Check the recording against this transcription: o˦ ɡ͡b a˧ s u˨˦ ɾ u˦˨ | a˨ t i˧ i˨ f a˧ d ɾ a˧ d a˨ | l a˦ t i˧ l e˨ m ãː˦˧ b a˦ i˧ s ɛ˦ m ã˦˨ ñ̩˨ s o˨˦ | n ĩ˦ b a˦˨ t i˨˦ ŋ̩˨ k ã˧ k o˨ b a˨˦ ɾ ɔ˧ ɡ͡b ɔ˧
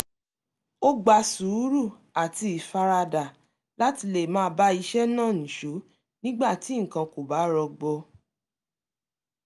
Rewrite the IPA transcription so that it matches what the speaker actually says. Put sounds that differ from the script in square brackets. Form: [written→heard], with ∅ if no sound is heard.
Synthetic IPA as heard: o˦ ɡ͡b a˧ s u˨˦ ɾ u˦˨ | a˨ t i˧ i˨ f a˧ [d→∅] ɾ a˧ d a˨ | l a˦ t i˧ l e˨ m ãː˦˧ b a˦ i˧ [s→ʃ] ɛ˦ [m→n] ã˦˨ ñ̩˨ [s→ʃ] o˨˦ | n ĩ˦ [b→ɡ͡b] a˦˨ t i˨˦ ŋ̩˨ k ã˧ k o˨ b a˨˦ ɾ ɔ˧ ɡ͡b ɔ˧